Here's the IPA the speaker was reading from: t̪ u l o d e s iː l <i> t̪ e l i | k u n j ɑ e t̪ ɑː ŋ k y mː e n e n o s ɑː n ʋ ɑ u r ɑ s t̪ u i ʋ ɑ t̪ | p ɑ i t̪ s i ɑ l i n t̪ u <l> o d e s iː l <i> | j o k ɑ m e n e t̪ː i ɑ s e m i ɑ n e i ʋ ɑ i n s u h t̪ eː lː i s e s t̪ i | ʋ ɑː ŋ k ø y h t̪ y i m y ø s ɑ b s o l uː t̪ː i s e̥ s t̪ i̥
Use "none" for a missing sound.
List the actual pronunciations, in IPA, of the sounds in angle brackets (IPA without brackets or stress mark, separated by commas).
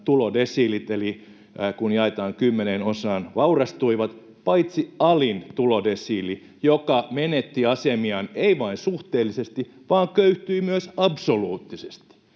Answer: i, l, i